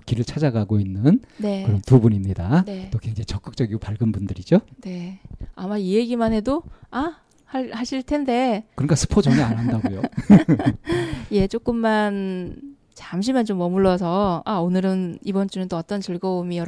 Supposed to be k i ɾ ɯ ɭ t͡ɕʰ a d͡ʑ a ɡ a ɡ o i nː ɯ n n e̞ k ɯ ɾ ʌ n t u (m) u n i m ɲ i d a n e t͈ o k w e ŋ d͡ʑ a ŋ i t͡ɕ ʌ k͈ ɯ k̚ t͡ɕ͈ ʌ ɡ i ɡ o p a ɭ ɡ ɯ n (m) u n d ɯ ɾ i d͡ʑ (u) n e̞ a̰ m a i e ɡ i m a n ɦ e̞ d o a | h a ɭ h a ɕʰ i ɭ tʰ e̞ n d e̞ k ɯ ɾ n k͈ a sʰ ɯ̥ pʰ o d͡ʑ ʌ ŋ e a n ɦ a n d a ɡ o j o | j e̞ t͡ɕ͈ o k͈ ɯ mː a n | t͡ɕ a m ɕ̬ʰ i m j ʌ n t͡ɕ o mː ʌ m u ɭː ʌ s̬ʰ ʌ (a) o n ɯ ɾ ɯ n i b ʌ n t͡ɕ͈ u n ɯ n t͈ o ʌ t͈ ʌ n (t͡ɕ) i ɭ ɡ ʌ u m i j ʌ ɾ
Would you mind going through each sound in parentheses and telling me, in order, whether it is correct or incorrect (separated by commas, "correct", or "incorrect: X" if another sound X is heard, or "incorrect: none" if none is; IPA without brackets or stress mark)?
incorrect: b, incorrect: b, incorrect: o, correct, correct